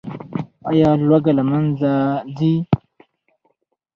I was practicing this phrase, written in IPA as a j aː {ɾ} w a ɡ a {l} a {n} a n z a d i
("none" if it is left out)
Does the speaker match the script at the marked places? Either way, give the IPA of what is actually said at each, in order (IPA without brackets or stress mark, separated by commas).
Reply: l, l, m